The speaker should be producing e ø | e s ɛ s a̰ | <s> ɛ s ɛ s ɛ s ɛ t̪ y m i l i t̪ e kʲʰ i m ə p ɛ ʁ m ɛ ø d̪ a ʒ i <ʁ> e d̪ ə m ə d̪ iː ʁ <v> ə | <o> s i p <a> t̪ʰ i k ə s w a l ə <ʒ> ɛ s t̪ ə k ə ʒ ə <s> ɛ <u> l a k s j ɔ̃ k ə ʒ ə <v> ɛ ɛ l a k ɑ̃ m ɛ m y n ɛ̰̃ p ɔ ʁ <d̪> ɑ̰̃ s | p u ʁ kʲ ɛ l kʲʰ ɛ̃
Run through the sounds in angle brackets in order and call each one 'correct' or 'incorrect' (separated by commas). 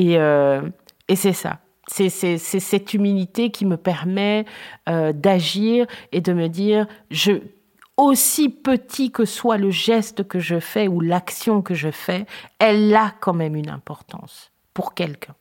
correct, correct, incorrect, correct, incorrect, correct, incorrect, correct, incorrect, incorrect